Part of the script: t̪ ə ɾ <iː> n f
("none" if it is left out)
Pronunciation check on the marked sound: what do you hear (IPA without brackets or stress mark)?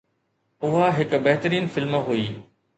iː